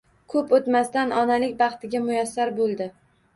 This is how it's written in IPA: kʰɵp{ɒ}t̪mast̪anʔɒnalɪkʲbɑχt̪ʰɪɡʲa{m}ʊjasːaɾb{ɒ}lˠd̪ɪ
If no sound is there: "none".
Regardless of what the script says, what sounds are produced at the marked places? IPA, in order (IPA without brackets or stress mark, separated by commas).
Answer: o, m, o